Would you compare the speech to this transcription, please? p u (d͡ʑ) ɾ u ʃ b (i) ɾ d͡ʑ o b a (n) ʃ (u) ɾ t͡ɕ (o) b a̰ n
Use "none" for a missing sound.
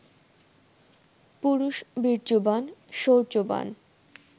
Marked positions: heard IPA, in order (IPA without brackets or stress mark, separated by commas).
none, i, n, o, o